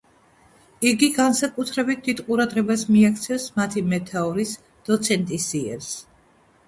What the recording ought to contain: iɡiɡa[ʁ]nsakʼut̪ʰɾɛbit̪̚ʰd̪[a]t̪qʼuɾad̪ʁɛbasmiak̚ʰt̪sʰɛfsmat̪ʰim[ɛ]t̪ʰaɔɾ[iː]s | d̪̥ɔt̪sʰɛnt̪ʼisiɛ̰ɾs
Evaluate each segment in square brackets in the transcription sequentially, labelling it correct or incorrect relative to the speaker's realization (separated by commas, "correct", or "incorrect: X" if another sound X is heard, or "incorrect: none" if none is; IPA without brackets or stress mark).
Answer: incorrect: none, incorrect: i, correct, incorrect: i